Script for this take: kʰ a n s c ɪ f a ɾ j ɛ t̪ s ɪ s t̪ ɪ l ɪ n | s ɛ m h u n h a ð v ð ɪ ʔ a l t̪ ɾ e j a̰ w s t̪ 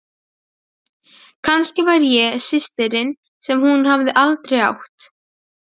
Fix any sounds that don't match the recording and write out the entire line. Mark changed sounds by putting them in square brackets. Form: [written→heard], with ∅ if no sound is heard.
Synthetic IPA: kʰ a n s c ɪ [f→v] a ɾ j ɛ [t̪→∅] s ɪ s t̪ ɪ [l→ɾ] ɪ n | s ɛ m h u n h a [ð→∅] v ð ɪ ʔ a l t̪ ɾ e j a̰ w [s→h] t̪